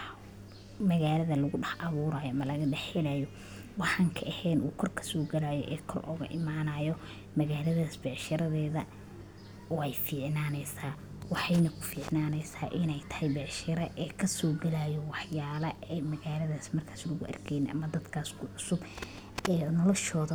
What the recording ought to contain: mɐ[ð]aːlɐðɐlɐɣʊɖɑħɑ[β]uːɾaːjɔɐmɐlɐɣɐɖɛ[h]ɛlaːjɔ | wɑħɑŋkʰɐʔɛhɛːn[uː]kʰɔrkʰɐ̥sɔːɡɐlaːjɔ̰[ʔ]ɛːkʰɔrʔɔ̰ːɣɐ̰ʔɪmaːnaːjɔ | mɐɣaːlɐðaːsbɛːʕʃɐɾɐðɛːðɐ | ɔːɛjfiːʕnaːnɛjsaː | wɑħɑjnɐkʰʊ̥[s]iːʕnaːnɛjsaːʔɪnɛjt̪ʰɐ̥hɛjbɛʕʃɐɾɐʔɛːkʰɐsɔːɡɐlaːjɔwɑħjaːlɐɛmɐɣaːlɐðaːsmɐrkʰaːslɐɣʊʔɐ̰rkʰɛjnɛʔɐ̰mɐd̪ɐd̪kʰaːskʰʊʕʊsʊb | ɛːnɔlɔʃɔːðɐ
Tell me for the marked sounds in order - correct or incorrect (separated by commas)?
incorrect, correct, incorrect, correct, correct, incorrect